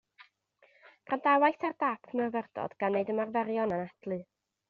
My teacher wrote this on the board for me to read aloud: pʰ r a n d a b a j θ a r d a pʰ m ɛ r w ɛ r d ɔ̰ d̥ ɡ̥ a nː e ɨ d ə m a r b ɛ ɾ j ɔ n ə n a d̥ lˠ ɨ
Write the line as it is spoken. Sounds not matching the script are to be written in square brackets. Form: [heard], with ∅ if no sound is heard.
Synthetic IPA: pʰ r a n d a [w] a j θ a r d a pʰ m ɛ r [v] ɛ r d ɔ̰ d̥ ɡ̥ a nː e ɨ d ə m a r [v] ɛ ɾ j ɔ n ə n a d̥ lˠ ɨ